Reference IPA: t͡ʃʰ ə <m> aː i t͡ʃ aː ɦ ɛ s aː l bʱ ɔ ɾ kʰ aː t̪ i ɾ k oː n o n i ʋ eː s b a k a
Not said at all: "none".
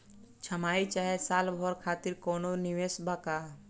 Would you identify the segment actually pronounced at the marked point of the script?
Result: m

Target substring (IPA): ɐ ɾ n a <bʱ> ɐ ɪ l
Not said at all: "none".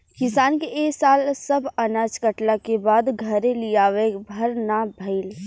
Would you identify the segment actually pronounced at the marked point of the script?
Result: bʱ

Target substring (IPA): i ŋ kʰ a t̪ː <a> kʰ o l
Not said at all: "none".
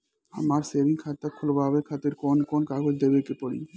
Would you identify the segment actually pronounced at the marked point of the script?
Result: a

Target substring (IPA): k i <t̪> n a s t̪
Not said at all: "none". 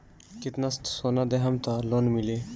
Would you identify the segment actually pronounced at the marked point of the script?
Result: t̪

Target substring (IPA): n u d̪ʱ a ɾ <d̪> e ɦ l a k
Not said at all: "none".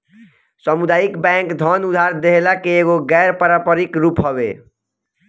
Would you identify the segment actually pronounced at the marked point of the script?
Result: d̪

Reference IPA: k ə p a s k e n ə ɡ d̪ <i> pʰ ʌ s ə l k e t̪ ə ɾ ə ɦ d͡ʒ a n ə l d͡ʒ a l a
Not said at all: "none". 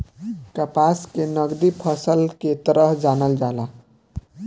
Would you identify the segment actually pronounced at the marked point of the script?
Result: i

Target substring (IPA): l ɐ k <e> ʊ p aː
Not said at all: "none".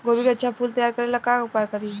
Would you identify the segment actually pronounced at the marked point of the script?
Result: a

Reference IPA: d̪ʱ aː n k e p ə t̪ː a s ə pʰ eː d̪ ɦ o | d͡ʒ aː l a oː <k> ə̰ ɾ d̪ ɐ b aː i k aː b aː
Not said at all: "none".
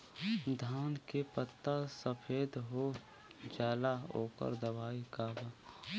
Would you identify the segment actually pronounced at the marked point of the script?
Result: k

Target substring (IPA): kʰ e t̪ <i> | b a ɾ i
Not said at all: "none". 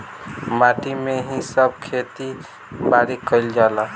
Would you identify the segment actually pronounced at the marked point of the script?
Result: i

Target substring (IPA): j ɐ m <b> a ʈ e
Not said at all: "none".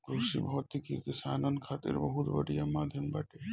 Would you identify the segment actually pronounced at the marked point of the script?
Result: b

